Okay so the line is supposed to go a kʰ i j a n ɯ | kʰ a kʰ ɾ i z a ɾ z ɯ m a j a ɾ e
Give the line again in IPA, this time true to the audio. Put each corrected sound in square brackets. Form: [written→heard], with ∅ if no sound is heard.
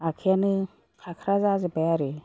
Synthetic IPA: a kʰ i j a n ɯ | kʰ a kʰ ɾ [i→a] z a [ɾ→∅] z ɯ [m→b] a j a ɾ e